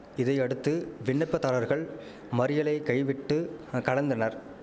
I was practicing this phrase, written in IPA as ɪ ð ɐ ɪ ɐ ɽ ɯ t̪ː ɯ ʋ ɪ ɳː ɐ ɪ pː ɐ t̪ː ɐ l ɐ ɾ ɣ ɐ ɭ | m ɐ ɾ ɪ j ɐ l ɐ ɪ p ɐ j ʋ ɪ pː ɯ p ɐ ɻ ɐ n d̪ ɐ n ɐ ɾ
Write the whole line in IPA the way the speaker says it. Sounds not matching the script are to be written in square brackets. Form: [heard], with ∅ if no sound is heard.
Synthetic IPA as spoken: ɪ ð ɐ ɪ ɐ ɽ ɯ t̪ː ɯ ʋ ɪ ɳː ɐ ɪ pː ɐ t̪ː ɐ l ɐ ɾ ɣ ɐ ɭ | m ɐ ɾ ɪ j ɐ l ɐ ɪ [k] ɐ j ʋ ɪ [ʈː] ɯ [k] ɐ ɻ ɐ n d̪ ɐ n ɐ ɾ